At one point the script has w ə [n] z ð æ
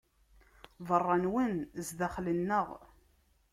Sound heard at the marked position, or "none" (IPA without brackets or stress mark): n